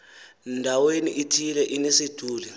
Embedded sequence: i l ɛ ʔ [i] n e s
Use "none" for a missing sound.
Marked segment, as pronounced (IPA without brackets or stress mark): i